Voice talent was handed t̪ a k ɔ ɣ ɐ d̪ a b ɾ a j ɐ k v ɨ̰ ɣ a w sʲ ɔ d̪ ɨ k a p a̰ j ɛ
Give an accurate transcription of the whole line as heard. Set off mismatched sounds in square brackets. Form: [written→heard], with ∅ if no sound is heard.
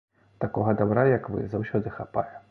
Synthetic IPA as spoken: t̪ a k ɔ ɣ ɐ d̪ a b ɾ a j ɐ k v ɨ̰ [ɣ→z] a w sʲ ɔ d̪ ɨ [k→x] a p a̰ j ɛ